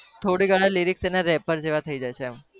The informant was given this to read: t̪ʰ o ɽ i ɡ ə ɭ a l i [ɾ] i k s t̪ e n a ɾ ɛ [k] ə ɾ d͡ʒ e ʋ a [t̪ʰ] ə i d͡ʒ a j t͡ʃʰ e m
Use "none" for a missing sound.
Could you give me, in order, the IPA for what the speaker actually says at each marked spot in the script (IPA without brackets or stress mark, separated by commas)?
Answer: ɾ, p, t̪ʰ